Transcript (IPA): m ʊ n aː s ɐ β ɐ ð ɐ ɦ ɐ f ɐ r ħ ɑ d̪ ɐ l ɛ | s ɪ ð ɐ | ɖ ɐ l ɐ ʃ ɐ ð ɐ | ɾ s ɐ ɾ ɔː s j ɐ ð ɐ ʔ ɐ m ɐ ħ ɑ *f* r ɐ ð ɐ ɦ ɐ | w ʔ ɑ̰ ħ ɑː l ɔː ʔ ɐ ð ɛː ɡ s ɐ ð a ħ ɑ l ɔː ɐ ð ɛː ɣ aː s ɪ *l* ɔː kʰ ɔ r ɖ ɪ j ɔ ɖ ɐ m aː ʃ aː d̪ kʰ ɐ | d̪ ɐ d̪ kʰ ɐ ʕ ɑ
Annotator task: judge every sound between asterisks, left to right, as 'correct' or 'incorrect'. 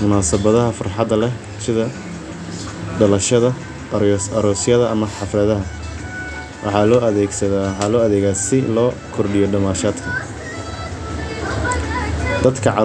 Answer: correct, correct

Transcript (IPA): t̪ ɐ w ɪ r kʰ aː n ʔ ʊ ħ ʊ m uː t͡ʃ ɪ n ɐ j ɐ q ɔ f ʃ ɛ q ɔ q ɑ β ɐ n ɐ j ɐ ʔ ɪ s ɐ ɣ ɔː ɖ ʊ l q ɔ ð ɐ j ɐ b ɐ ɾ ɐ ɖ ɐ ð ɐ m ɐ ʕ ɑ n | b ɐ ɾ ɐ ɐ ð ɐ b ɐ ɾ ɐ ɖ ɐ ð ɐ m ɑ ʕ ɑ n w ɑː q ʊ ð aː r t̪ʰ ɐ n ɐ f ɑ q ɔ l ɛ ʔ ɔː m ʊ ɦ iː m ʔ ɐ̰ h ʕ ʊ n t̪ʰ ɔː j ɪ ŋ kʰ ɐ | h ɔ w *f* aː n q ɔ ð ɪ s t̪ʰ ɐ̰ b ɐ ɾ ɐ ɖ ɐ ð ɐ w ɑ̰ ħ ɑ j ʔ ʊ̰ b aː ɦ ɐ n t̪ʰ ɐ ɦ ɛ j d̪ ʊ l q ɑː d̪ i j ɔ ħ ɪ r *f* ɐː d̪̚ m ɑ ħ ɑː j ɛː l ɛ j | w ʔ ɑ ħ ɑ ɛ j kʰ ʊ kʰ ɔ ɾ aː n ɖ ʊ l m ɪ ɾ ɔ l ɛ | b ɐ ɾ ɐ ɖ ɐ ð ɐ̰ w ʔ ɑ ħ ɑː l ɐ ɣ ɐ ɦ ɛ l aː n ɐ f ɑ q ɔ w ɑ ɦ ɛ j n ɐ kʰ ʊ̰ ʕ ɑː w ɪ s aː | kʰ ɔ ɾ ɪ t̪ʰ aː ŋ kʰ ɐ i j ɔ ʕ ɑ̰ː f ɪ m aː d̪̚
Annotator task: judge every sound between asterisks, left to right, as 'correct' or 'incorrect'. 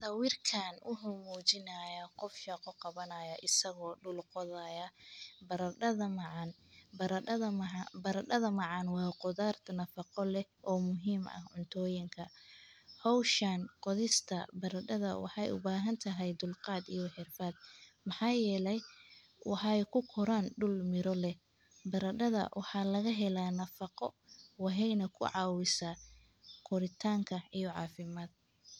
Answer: incorrect: ʃ, correct

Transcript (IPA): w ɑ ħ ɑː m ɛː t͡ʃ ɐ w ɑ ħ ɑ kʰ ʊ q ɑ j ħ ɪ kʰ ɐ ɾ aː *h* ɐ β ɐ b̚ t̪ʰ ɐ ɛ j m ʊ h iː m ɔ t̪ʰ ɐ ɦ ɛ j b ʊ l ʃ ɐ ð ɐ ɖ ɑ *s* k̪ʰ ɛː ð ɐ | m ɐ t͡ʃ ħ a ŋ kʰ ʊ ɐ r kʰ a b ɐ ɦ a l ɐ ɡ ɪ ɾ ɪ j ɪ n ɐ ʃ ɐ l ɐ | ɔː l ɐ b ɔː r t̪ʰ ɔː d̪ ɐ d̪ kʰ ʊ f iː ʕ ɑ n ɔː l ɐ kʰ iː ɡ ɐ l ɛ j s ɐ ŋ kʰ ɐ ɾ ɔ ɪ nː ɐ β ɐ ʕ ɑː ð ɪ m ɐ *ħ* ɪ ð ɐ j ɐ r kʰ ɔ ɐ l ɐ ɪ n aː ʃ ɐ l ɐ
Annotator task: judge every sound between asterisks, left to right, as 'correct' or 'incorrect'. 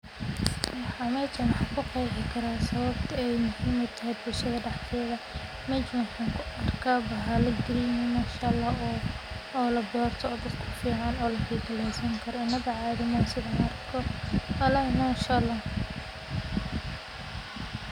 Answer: incorrect: s, incorrect: ħ, incorrect: s

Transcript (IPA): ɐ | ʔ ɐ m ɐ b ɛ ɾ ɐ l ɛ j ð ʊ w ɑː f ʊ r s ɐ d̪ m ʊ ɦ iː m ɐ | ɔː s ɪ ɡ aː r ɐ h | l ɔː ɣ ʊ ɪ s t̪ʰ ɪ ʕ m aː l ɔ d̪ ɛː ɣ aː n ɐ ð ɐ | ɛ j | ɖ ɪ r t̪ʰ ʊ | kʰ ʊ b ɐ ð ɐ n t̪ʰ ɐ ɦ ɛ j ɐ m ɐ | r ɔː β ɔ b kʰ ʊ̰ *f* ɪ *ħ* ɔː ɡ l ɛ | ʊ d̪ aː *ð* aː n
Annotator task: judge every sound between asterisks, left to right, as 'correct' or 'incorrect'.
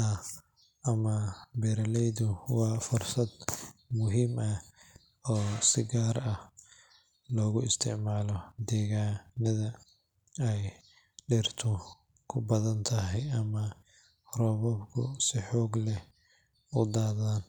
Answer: incorrect: s, correct, correct

